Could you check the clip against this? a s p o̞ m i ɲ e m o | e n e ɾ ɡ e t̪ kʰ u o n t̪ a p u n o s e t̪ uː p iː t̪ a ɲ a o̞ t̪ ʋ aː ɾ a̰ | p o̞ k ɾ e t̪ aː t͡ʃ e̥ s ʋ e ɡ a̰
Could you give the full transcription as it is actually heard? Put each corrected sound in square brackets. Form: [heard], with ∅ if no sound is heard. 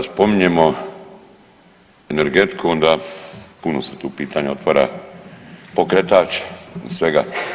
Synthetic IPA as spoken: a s p o̞ m i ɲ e m o | e n e ɾ ɡ e t̪ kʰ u o n [d̪] a p u n o s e t̪ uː p iː t̪ a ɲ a o̞ t̪ ʋ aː ɾ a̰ | p o̞ k ɾ e t̪ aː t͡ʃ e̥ s ʋ e ɡ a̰